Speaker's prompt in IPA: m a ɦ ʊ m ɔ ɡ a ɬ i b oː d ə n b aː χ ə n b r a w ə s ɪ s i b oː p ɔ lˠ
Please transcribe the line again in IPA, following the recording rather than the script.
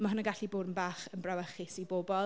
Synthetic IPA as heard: m a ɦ ʊ n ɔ ɡ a ɬ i b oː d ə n b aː χ ə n b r a w ə χ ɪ s i b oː b ɔ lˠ